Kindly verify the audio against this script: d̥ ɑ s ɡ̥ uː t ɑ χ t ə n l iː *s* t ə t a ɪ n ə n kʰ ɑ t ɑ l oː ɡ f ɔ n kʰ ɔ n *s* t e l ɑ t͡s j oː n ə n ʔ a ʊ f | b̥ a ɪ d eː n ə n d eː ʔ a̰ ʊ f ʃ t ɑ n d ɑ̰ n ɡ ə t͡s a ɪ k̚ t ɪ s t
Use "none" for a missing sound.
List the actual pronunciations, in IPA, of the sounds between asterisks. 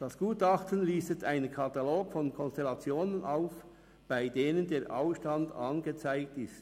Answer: s, s

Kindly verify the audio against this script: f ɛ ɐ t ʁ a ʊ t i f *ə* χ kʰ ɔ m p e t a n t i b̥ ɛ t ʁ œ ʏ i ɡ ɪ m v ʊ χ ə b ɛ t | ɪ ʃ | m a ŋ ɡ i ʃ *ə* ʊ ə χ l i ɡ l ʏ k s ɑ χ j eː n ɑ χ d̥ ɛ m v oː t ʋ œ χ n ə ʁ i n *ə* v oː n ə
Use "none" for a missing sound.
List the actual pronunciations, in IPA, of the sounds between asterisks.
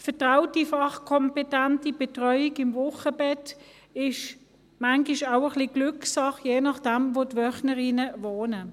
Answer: ɑ, a, ə

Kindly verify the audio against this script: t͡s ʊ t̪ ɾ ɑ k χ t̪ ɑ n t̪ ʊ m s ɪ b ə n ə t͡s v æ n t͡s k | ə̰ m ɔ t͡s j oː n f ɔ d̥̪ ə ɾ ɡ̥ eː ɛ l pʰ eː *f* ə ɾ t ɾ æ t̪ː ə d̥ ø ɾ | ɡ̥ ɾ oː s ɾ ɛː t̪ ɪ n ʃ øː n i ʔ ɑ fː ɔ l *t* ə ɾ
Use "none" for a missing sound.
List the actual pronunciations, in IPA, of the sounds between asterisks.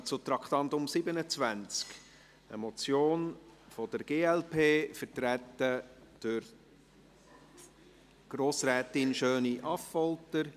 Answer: f, t

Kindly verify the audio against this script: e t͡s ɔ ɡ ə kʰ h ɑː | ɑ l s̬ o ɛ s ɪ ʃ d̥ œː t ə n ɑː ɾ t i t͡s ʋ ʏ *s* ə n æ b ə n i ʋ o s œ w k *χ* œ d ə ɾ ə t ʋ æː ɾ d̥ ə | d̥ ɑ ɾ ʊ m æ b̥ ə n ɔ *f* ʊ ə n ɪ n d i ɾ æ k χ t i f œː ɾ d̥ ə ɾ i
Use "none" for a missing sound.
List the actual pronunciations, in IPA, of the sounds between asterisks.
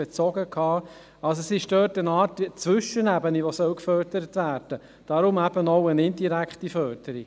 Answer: ʃ, f, none

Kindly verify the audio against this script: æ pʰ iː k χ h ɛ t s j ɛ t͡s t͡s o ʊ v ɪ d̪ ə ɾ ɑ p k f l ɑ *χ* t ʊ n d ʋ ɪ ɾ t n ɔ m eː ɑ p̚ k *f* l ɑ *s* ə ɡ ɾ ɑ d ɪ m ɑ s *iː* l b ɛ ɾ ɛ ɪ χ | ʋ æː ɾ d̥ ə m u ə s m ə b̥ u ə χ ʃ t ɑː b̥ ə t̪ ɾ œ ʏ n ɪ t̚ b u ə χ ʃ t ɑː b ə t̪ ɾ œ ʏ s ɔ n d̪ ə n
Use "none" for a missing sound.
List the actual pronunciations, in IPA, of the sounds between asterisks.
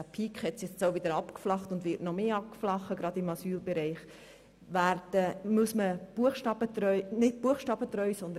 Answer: χ, f, χ, yː

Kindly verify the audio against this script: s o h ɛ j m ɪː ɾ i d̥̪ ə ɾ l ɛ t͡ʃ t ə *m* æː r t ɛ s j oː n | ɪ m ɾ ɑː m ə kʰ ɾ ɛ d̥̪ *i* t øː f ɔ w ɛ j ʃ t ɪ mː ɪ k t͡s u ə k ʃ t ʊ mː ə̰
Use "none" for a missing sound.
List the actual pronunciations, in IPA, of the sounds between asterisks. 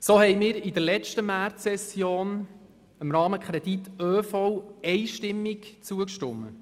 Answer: m, i

